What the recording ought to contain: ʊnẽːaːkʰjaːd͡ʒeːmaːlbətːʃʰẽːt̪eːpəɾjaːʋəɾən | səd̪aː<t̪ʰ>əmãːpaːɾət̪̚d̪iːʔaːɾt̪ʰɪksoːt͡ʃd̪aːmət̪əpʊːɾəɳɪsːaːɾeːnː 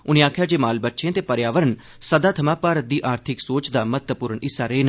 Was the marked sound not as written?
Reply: no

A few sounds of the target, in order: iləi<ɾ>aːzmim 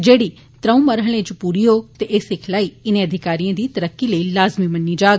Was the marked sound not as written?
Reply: yes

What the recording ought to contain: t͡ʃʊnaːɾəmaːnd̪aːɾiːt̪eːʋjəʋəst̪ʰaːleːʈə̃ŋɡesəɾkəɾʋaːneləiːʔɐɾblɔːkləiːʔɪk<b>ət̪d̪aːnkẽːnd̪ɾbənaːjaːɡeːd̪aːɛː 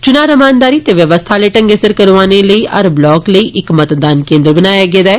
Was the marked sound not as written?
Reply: yes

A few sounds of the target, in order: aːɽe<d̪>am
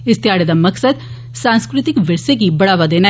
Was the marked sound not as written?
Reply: no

